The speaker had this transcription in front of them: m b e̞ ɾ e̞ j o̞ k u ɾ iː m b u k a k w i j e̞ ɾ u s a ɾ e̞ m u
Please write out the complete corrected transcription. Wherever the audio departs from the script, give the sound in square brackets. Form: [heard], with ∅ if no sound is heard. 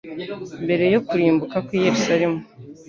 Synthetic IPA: m b e̞ ɾ e̞ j o̞ k u ɾ iː m b u k a k w i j e̞ ɾ u s a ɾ e̞ m u